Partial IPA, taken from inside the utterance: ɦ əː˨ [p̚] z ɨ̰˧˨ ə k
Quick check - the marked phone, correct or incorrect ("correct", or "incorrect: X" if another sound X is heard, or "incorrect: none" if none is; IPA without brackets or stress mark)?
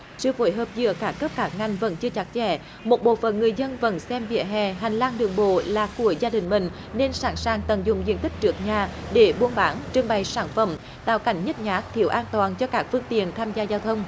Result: correct